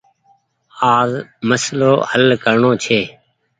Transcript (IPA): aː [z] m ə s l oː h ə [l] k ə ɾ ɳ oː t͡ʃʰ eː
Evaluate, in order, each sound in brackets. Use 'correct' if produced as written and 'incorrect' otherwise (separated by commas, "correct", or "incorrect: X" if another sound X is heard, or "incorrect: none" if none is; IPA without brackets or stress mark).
correct, correct